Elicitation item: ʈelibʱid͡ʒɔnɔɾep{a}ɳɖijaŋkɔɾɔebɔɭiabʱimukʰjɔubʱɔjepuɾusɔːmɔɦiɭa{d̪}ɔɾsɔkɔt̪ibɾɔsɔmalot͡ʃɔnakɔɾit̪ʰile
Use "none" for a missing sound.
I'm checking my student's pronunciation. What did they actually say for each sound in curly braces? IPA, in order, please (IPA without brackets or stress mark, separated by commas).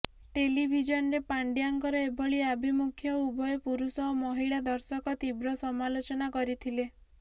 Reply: a, d̪